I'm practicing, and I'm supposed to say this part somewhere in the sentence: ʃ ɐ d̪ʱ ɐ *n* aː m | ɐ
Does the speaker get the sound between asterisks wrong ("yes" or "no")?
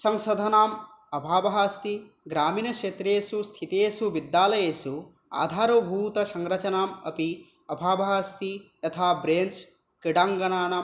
no